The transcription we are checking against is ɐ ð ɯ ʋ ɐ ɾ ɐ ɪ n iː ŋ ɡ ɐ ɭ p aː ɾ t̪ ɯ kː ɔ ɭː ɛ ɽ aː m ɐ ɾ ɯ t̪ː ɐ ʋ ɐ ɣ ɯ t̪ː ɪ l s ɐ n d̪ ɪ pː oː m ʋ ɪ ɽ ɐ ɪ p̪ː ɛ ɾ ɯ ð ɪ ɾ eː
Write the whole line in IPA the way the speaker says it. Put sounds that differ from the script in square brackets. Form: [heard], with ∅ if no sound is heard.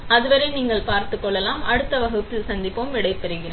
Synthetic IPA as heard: ɐ ð ɯ ʋ ɐ ɾ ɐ ɪ n iː ŋ ɡ ɐ ɭ p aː ɾ t̪ ɯ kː ɔ ɭː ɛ [l] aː m ɐ [ɽ] ɯ t̪ː ɐ ʋ ɐ ɣ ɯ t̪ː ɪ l s ɐ n d̪ ɪ pː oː m ʋ ɪ ɽ ɐ ɪ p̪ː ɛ ɾ ɯ [ɣ] ɪ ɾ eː